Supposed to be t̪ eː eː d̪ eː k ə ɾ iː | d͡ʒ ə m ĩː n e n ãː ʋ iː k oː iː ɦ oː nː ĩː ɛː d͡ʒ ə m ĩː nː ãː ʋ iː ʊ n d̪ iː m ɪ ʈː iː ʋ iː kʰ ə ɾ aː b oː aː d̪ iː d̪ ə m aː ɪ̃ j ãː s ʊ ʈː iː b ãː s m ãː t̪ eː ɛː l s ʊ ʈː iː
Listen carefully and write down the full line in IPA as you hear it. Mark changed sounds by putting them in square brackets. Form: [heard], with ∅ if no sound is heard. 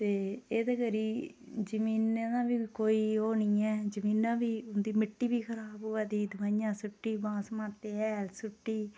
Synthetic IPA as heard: t̪ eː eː d̪ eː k ə ɾ iː | d͡ʒ ə m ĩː n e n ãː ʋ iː k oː iː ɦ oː [n] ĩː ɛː d͡ʒ ə m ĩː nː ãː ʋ iː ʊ n d̪ iː m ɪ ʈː iː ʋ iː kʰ ə ɾ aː b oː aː d̪ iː d̪ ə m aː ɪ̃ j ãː s ʊ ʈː iː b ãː s m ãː t̪ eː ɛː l s ʊ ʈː iː